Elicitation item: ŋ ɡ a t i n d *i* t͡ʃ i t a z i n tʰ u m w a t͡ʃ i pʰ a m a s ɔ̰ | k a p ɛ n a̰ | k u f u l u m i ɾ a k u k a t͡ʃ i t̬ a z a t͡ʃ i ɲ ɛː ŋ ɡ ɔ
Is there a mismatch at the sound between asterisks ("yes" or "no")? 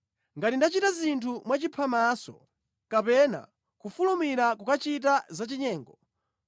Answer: yes